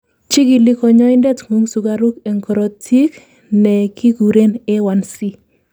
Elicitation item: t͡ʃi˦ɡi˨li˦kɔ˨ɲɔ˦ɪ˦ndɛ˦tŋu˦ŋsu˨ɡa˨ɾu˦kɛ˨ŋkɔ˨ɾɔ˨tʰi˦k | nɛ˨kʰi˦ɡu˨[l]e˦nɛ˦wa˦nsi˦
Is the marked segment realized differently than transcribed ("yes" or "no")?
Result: yes